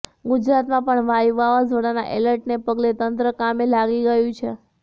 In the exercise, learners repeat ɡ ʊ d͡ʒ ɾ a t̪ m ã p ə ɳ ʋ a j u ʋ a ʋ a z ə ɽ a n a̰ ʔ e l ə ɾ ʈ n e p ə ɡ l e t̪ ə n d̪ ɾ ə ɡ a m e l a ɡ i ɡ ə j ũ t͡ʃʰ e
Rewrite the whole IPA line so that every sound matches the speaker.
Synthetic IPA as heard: ɡ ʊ d͡ʒ ɾ a t̪ m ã p ə ɳ ʋ a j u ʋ a ʋ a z ə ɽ a n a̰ ʔ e l ə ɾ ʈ n e p ə ɡ l e t̪ ə n t̪ ɾ ə k a m e l a ɡ i ɡ ə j ũ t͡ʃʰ e

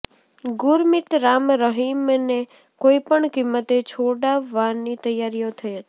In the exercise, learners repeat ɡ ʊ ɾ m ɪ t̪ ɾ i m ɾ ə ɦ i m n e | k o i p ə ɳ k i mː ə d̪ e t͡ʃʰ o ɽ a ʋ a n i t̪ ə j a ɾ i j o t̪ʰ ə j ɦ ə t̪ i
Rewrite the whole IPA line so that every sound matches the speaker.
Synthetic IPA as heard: ɡ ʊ ɾ m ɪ t̪ ɾ a m ɾ ə ɦ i m n e | k o i p ə ɳ k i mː ə t̪ e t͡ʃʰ o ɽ a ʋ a n i t̪ ə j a ɾ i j o t̪ʰ ə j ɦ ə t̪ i

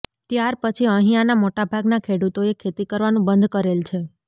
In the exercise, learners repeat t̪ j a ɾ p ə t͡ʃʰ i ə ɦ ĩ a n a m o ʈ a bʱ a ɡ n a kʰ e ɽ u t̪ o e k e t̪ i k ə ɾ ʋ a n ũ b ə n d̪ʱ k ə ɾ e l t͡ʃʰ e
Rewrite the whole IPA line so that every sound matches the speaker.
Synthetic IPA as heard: t̪ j a ɾ p ə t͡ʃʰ i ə ɦ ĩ a n a m o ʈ a bʱ a ɡ n a kʰ e ɽ u t̪ o e kʰ e t̪ i k ə ɾ ʋ a n ũ b ə n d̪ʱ k ə ɾ e l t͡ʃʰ e

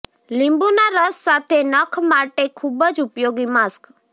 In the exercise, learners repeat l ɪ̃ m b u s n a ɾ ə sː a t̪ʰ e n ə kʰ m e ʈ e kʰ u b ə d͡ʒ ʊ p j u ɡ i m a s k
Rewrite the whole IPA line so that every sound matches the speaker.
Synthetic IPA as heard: l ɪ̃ m b u n a ɾ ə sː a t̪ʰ e n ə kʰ m a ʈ e kʰ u b ə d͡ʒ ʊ p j o ɡ i m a s k

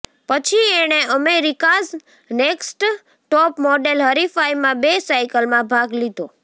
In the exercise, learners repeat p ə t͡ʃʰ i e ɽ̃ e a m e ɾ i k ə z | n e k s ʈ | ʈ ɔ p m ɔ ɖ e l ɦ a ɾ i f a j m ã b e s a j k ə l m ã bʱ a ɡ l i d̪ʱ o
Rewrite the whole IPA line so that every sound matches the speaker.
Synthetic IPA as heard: p ə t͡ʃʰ i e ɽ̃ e ə m e ɾ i k a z | n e k s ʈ | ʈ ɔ p m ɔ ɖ e l ɦ ə ɾ i f a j m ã b e s a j k ə l m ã bʱ a ɡ l i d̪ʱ o

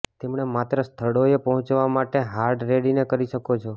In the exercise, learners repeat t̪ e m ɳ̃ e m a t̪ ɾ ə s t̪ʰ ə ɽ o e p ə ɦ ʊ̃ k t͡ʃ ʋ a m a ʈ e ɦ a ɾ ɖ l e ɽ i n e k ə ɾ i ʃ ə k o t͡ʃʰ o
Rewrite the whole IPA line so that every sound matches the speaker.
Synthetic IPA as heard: t̪ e m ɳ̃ e m a t̪ ɾ ə s t̪ʰ ə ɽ o e p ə ɦ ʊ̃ t͡ʃ ʋ a m a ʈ e ɦ a ɾ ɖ ɾ e ɽ i n e k ə ɾ i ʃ ə k o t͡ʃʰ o

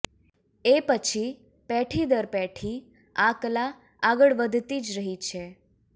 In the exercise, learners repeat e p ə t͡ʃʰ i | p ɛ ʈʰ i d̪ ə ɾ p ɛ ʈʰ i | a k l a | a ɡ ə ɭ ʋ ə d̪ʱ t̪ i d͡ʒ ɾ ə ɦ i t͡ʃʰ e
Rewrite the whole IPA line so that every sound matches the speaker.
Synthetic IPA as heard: e p ə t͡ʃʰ i | p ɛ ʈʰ i d̪ ə ɾ p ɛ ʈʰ i | a k l a | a ɡ ə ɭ ʋ ə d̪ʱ t̪ i d͡ʒ ɾ ə ɦ i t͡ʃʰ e

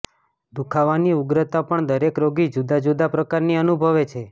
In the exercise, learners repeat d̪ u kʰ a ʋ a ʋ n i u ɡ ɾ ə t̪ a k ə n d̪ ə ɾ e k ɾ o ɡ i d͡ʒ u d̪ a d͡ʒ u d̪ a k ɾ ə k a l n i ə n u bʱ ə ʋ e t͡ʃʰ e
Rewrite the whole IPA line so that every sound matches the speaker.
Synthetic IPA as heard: d̪ u kʰ a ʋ a n i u ɡ ɾ ə t̪ a p ə ɳ d̪ ə ɾ e k ɾ o ɡ i d͡ʒ u d̪ a d͡ʒ u d̪ a p ɾ ə k a ɾ n i ə n u bʱ ə ʋ e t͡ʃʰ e

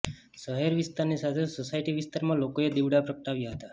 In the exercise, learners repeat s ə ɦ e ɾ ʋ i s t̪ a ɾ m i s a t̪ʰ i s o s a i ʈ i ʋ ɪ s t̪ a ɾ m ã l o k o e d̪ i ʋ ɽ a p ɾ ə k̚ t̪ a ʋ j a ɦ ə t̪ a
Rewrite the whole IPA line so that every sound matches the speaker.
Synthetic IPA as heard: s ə ɦ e ɾ ʋ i s t̪ a ɾ n i s a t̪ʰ e s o s a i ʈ i ʋ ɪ s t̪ a ɾ m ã l o k o e d̪ i ʋ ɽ a p ɾ ə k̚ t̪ a ʋ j a ɦ ə t̪ a

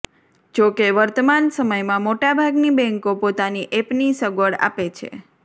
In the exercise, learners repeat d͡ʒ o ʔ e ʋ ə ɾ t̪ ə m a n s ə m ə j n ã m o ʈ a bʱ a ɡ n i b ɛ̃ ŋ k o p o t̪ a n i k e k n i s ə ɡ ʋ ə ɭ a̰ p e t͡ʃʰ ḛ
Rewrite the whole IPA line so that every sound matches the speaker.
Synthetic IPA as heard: d͡ʒ o k e ʋ ə ɾ t̪ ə m a n s ə m ə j m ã m o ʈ a bʱ a ɡ n i b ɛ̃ ŋ k o p o t̪ a n i ʔ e p n i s ə ɡ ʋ ə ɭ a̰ p e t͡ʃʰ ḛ

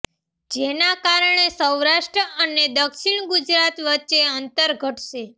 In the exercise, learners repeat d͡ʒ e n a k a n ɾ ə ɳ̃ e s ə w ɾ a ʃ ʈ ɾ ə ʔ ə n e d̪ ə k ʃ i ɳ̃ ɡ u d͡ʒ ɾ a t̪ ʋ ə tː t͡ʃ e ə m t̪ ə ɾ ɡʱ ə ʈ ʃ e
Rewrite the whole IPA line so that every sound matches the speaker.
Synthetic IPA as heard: d͡ʒ e n a k a ɾ ə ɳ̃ e s ə w ɾ a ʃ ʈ ɾ ə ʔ ə n e d̪ ə k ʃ i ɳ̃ ɡ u d͡ʒ ɾ a t̪ ʋ ə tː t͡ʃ e ə n t̪ ə ɾ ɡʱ ə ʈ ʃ e

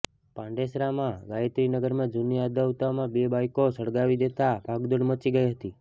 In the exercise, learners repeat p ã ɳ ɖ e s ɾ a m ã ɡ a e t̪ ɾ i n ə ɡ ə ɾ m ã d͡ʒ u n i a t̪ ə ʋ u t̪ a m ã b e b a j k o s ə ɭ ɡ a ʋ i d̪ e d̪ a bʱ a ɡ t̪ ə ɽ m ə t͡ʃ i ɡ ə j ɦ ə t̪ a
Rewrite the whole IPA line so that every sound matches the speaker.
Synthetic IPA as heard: p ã ɳ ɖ e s ɾ a m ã ɡ a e t̪ ɾ i n ə ɡ ə ɾ m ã d͡ʒ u n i a d̪ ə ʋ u t̪ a m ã b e b a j k o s ə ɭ ɡ a ʋ i d̪ e t̪ a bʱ a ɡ d̪ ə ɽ m ə t͡ʃ i ɡ ə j ɦ ə t̪ i

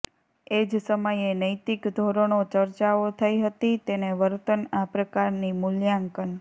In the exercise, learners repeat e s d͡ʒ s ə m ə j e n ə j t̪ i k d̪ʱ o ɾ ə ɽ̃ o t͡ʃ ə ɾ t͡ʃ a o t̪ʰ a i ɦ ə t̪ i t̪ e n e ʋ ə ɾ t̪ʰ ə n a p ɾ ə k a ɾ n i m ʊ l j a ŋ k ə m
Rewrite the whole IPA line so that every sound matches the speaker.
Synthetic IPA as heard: e d͡ʒ s ə m ə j e n ə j t̪ i k d̪ʱ o ɾ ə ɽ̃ o t͡ʃ ə ɾ t͡ʃ a o t̪ʰ ə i ɦ ə t̪ i t̪ e n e ʋ ə ɾ t̪ ə n a p ɾ ə k a ɾ n i m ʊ l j a ŋ k ə n

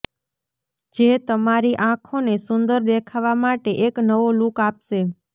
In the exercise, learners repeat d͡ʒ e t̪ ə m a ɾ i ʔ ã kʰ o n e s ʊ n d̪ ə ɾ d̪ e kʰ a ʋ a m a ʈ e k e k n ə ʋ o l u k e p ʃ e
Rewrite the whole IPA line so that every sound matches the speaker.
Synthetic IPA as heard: d͡ʒ e t̪ ə m a ɾ i ʔ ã kʰ o n e s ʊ n d̪ ə ɾ d̪ e kʰ a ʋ a m a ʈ e ʔ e k n ə ʋ o l u k a p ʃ e

